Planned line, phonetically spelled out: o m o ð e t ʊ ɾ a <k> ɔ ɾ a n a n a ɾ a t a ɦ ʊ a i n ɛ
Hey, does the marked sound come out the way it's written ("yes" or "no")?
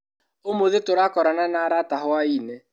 yes